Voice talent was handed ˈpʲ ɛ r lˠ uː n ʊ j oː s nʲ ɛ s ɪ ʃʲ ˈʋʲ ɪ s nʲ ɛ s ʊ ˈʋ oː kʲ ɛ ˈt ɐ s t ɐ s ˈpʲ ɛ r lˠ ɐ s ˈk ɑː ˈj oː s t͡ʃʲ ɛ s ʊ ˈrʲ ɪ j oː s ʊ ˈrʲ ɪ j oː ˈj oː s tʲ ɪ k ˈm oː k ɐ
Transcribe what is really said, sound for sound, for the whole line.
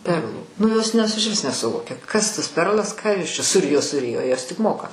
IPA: ˈpʲ ɛ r lˠ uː n ʊ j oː s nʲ ɛ s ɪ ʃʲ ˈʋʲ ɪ s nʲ ɛ s ʊ ˈʋ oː kʲ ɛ ˈk ɐ s t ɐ s ˈpʲ ɛ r lˠ ɐ s ˈk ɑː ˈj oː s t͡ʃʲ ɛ s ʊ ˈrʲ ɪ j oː s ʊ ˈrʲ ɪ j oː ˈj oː s tʲ ɪ k ˈm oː k ɐ